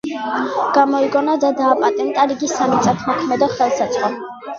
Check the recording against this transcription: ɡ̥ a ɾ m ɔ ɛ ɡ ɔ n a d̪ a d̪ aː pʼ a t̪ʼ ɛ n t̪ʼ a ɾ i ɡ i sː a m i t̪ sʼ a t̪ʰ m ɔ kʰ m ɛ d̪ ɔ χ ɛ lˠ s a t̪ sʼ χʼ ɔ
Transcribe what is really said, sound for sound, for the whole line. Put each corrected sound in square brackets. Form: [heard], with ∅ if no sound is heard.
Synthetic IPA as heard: ɡ̥ a [∅] m ɔ [i] ɡ ɔ n a d̪ a d̪ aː pʼ a t̪ʼ ɛ n t̪ʼ a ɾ i ɡ i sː a m i t̪ sʼ a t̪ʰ m ɔ kʰ m ɛ d̪ ɔ χ ɛ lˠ s a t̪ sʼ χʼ ɔ